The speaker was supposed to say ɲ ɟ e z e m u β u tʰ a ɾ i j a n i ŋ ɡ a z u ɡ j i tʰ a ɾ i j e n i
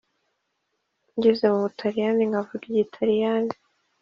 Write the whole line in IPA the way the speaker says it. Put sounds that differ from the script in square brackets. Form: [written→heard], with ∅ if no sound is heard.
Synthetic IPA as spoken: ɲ ɟ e z e m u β u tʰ a ɾ i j a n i ŋ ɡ a [z→v] u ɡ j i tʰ a ɾ i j [e→a] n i